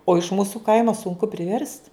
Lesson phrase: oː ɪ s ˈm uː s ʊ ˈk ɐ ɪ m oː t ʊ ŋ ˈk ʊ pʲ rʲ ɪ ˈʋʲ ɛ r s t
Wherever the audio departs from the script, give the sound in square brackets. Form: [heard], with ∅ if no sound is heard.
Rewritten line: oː ɪ [ʃ] ˈm uː s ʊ ˈk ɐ ɪ m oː [s] ʊ ŋ ˈk ʊ pʲ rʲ ɪ ˈʋʲ ɛ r s t

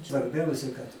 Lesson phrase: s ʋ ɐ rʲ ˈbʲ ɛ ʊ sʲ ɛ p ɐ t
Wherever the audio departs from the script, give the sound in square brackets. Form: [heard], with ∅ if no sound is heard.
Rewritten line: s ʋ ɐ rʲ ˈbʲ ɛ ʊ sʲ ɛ [k] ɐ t

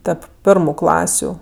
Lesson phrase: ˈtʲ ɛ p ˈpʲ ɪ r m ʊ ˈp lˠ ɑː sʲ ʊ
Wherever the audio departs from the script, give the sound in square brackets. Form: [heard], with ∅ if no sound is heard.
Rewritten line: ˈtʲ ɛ p ˈpʲ ɪ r m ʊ [ˈk] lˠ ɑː sʲ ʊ

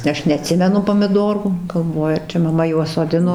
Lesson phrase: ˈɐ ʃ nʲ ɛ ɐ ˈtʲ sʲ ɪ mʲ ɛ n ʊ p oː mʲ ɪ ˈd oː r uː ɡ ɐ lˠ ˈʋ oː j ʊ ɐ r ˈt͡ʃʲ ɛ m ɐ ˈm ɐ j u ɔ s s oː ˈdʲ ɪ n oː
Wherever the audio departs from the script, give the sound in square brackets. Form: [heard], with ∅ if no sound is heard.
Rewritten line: ˈɐ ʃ nʲ ɛ ɐ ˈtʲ sʲ ɪ mʲ ɛ n ʊ p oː mʲ ɪ ˈd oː r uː ɡ ɐ lˠ ˈʋ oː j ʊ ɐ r ˈt͡ʃʲ ɛ m ɐ ˈm ɐ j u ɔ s s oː ˈdʲ ɪ n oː

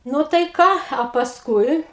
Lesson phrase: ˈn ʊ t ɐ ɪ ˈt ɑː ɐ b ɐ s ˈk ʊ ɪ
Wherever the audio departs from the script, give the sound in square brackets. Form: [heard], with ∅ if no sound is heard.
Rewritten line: ˈn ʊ t ɐ ɪ [ˈk] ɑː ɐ [p] ɐ s ˈk ʊ ɪ

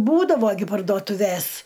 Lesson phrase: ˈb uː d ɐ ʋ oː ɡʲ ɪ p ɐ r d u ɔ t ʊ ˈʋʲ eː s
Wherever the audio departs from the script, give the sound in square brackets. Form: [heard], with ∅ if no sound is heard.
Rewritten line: ˈb uː d ɐ ʋ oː ɡʲ ɪ p ɐ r d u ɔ t ʊ ˈʋʲ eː s

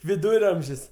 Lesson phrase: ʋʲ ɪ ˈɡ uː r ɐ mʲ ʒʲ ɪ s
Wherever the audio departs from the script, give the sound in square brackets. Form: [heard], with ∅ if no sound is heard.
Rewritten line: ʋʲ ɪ [ˈd] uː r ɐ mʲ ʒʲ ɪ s

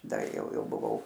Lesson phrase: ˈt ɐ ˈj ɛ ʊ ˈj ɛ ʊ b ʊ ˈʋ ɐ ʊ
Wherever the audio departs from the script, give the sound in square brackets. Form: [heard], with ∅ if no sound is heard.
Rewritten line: [ˈd] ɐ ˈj ɛ ʊ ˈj ɛ ʊ b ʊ ˈʋ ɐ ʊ

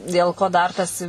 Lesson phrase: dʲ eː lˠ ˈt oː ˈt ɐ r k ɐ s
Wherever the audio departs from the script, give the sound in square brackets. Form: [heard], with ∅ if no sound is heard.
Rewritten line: dʲ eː lˠ [ˈk] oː [ˈd] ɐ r [t] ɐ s

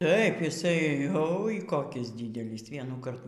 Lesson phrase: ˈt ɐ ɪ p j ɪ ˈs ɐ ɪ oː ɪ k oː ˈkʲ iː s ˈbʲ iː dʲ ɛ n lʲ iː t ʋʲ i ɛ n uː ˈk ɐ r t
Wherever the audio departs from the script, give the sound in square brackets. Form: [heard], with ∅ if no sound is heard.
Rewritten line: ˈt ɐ ɪ p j ɪ ˈs ɐ ɪ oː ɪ k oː ˈkʲ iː s [ˈdʲ] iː dʲ ɛ [∅] lʲ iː [s] ʋʲ i ɛ n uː ˈk ɐ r t

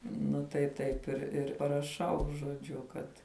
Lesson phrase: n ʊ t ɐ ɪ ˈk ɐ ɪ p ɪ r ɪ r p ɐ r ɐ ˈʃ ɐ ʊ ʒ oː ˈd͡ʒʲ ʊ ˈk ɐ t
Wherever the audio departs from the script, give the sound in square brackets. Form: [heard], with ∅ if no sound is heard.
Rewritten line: n ʊ t ɐ ɪ [ˈt] ɐ ɪ p ɪ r ɪ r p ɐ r ɐ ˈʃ ɐ ʊ ʒ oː ˈd͡ʒʲ ʊ ˈk ɐ t

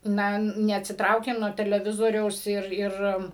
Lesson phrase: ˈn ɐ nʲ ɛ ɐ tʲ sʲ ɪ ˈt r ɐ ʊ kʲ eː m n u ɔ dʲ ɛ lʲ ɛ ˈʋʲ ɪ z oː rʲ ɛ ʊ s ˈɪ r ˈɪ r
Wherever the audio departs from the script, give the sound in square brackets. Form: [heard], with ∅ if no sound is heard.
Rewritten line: ˈn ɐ nʲ ɛ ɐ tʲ sʲ ɪ ˈt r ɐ ʊ kʲ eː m n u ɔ [tʲ] ɛ lʲ ɛ ˈʋʲ ɪ z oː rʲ ɛ ʊ s ˈɪ r ˈɪ r

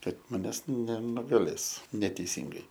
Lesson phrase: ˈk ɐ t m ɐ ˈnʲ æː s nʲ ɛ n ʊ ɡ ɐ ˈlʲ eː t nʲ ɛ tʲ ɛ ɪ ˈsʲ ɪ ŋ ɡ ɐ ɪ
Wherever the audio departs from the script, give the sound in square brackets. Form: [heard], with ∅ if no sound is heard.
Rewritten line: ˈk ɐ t m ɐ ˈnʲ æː s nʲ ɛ n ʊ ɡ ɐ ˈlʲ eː [s] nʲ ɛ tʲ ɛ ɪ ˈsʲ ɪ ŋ ɡ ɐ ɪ

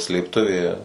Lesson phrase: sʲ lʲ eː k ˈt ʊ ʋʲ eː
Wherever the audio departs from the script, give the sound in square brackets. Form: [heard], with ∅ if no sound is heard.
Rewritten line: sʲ lʲ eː [p] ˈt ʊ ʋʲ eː

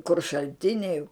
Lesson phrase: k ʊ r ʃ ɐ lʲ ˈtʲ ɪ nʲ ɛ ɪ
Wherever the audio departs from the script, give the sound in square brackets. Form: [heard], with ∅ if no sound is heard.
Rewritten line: k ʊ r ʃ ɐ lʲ ˈtʲ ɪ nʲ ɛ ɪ

